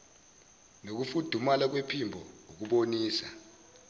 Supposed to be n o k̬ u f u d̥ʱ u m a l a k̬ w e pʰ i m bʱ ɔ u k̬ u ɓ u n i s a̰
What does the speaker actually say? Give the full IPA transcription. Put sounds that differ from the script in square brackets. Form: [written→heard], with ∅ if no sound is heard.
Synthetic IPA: n o k̬ u f u d̥ʱ u m a l a k̬ w e pʰ i m bʱ ɔ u k̬ u ɓ [u→o] n [i→iː] s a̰